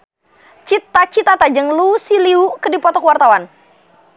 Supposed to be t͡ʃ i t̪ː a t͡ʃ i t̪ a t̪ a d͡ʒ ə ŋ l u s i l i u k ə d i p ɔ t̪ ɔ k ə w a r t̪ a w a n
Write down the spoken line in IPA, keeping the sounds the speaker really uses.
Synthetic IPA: t͡ʃ i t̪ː a t͡ʃ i t̪ a t̪ a d͡ʒ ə ŋ l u s i l i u k ə d i p ɔ t̪ ɔ k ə w a r t̪ a w a n